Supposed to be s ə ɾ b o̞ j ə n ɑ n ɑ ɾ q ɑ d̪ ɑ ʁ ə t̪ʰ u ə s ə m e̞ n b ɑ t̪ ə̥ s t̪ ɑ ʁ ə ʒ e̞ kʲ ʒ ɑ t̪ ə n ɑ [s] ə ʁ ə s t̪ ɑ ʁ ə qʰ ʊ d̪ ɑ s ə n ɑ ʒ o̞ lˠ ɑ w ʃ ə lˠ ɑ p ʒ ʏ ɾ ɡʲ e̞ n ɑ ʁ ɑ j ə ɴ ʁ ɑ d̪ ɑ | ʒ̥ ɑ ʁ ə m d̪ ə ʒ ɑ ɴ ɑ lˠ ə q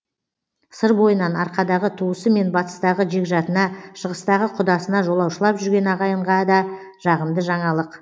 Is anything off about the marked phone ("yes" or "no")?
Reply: yes